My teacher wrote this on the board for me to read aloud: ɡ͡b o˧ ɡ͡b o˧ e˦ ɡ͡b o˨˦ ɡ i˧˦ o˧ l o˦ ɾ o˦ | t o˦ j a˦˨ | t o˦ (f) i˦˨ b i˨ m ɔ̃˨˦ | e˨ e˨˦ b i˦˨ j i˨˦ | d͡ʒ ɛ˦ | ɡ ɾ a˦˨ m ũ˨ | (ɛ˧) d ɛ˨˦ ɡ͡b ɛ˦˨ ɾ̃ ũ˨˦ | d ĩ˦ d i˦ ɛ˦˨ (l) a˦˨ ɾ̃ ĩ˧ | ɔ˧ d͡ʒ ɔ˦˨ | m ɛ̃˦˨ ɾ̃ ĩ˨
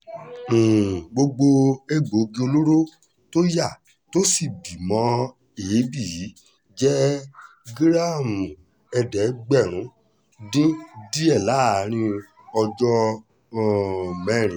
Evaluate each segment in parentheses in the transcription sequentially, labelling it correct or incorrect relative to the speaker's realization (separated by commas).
incorrect, correct, correct